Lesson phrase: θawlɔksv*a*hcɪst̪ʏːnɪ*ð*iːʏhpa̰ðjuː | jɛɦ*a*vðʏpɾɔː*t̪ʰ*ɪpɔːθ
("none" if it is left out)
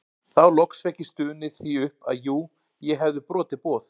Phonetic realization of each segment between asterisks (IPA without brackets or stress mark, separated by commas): ɛ, θ, ɛ, t̪